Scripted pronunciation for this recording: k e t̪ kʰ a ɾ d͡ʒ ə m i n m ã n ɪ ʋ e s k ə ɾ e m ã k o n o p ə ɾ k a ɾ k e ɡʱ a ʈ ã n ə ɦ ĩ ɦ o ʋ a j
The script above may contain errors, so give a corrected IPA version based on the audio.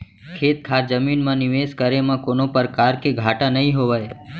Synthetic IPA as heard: kʰ e t̪ kʰ a ɾ d͡ʒ ə m i n m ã n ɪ ʋ e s k ə ɾ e m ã k o n o p ə ɾ k a ɾ k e ɡʱ a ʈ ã n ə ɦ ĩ ɦ o ʋ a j

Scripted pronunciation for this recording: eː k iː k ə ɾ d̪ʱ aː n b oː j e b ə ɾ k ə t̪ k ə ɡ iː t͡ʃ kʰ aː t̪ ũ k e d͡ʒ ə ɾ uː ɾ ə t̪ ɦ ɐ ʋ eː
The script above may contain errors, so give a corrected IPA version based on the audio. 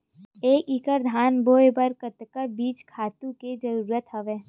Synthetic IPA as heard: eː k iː k ə ɾ d̪ʱ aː n b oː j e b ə ɾ k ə t̪ k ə b iː t͡ʃ kʰ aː t̪ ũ k e d͡ʒ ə ɾ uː ɾ ə t̪ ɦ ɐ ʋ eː

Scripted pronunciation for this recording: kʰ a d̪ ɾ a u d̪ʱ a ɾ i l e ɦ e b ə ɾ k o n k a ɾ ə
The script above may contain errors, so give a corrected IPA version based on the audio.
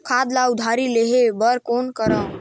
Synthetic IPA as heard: kʰ a d̪ l a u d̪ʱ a ɾ i l e ɦ e b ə ɾ k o n k ə ɾ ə

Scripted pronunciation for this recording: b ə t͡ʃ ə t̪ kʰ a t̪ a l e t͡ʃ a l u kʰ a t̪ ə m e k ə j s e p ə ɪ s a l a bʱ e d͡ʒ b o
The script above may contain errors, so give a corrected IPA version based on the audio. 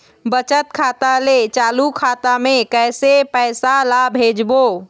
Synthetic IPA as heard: b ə t͡ʃ ə t̪ kʰ a t̪ a l e t͡ʃ a l u kʰ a t̪ a m e k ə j s e p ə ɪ s a l a bʱ e d͡ʒ b o

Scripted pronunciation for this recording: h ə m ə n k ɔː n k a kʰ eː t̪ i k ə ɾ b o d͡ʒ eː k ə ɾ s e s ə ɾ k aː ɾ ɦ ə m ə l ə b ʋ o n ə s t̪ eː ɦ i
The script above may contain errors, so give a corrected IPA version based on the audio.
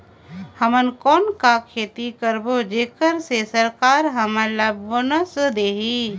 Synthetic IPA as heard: h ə m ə n k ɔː n k a kʰ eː t̪ i k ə ɾ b o d͡ʒ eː k ə ɾ s e s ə ɾ k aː ɾ ɦ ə m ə l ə b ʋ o n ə s d̪ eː ɦ i

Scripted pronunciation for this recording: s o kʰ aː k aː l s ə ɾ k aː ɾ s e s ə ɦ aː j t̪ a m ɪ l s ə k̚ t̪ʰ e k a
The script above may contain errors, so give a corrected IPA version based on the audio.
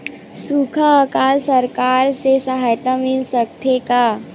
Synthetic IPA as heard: s u kʰ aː k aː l s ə ɾ k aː ɾ s e s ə ɦ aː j t̪ a m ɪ l s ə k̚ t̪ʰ e k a

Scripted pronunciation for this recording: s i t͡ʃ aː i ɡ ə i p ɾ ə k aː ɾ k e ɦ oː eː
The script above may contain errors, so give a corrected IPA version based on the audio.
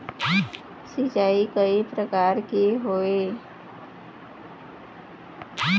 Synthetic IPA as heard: s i t͡ʃ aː i k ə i p ɾ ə k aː ɾ k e ɦ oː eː

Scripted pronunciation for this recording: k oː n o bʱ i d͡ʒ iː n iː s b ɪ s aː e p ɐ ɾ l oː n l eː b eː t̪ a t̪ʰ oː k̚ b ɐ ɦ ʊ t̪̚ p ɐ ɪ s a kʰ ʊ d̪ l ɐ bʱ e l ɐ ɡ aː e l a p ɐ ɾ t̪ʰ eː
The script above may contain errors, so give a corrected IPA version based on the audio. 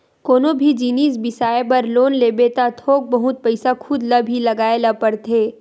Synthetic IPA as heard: k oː n o bʱ i d͡ʒ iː n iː s b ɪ s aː e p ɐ ɾ l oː n l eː b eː t̪ a t̪ʰ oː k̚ b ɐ ɦ ʊ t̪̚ p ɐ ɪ s a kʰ ʊ d̪ l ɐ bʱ i l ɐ ɡ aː e l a p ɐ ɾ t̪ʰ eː

